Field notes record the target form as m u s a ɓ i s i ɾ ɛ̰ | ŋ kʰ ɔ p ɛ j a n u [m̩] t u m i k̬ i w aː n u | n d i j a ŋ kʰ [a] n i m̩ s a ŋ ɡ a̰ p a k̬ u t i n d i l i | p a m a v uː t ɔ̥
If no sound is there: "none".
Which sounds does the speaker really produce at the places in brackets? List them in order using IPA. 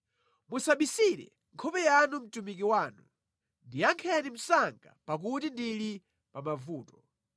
m̩, ɛ

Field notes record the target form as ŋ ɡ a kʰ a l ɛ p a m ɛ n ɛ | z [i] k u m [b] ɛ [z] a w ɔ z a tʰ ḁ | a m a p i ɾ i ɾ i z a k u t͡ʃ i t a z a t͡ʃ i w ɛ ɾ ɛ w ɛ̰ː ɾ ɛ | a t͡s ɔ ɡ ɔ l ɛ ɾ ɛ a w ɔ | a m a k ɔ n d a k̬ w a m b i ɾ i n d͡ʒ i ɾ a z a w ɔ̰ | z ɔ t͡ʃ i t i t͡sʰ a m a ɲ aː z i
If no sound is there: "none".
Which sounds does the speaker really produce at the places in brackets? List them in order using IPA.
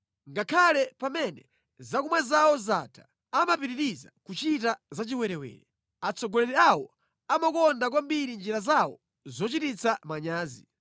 a, w, z

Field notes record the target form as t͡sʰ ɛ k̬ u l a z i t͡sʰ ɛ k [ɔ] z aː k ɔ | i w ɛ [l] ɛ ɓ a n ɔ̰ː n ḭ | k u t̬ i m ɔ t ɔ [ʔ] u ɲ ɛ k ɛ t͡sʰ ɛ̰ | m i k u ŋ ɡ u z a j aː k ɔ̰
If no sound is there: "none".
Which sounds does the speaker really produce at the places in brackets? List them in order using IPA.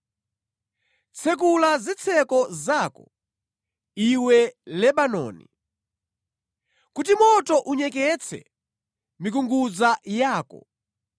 ɔ, l, ʔ

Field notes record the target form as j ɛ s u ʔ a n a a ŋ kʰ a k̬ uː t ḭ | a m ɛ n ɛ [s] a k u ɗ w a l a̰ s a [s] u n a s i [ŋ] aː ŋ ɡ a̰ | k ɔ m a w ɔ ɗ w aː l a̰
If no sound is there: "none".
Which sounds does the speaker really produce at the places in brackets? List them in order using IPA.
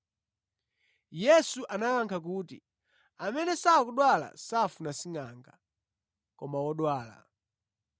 s, f, ŋ

